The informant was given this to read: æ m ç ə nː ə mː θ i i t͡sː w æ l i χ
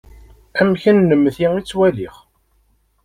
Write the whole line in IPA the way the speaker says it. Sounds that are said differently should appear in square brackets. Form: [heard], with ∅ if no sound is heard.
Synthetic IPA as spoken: æ m ç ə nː ə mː θ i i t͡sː w æ l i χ